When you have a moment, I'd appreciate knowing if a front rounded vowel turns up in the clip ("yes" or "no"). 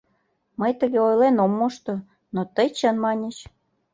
no